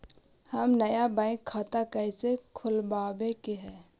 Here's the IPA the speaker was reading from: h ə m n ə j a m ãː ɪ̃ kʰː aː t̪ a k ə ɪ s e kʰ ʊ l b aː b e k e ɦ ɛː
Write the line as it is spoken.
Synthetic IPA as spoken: h ə m n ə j a b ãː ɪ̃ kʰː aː t̪ a k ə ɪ s e kʰ ʊ l b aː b e k e ɦ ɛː